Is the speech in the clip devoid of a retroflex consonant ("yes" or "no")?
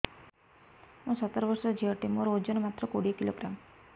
no